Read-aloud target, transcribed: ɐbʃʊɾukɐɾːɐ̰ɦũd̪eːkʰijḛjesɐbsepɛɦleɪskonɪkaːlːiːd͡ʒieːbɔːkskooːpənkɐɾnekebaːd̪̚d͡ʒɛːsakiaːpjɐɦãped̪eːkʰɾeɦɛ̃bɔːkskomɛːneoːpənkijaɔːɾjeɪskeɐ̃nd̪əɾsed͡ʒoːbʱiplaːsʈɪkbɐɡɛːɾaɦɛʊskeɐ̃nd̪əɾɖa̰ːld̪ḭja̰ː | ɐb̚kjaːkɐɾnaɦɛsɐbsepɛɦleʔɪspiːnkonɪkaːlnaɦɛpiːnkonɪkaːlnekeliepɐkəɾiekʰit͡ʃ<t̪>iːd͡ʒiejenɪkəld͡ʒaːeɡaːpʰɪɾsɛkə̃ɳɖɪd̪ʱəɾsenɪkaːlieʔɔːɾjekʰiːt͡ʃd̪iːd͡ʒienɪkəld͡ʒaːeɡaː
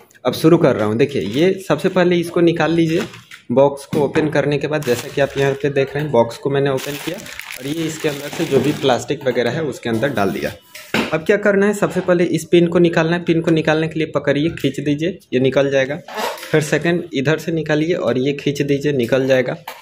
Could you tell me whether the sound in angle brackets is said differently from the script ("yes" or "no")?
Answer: yes